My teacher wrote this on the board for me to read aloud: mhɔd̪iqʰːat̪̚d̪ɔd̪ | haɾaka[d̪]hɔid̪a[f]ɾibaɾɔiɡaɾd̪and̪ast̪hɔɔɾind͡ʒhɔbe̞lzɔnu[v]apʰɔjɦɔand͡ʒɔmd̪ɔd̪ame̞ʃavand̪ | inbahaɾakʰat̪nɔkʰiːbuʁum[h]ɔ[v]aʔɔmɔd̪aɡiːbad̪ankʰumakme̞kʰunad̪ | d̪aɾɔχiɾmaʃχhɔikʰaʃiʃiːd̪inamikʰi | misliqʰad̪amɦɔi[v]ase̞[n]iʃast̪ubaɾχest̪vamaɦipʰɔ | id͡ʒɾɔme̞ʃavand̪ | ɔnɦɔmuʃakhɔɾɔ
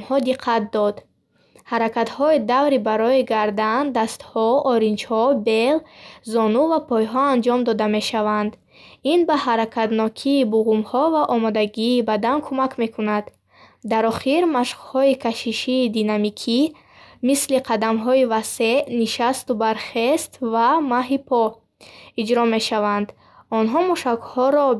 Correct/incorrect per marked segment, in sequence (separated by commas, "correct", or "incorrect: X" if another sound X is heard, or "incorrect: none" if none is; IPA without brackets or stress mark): incorrect: t̪, incorrect: v, correct, correct, correct, correct, correct